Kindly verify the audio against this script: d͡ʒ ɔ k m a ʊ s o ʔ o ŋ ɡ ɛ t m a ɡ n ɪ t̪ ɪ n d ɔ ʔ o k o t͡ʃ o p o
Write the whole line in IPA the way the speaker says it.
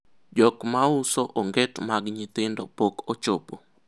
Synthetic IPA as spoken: d͡ʒ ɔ k m a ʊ s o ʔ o ŋ ɡ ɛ t m a ɡ ɲ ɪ t̪ ɪ n d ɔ p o k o t͡ʃ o p o